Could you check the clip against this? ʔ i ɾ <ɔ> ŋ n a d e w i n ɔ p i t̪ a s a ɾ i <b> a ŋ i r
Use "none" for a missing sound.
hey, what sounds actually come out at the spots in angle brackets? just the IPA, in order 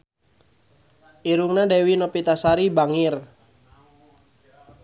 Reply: u, b

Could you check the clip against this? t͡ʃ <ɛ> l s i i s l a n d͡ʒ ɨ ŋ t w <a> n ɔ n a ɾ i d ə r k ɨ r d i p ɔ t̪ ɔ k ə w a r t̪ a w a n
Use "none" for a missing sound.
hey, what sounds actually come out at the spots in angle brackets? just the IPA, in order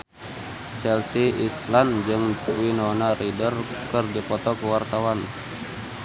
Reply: ɛ, i

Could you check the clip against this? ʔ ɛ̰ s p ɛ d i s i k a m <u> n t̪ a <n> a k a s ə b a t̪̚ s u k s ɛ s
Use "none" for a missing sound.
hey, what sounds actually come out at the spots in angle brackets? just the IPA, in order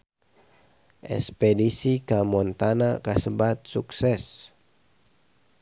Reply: ɔ, n

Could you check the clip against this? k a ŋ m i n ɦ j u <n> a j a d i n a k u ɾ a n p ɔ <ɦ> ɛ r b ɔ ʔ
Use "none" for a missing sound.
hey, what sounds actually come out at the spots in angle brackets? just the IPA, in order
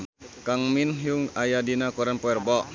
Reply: ŋ, none

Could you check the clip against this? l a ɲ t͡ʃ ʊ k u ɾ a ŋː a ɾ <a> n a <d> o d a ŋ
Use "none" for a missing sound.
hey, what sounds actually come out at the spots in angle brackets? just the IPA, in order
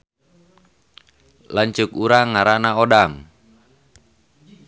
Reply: a, none

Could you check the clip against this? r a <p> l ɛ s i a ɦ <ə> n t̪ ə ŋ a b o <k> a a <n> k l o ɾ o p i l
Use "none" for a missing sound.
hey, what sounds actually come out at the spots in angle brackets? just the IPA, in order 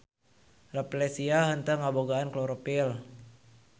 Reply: p, ə, ɡ, n

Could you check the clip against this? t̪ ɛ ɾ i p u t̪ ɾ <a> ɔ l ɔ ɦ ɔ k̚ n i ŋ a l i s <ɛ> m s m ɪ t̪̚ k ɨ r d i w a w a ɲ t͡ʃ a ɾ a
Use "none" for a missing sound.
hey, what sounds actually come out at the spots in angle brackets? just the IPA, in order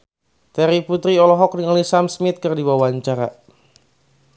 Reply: i, a

